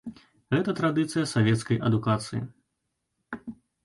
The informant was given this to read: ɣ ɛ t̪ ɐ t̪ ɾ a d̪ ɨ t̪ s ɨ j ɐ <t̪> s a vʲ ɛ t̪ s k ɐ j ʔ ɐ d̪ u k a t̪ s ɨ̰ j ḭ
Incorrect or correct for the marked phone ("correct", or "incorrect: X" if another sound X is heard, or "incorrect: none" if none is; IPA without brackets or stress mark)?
incorrect: none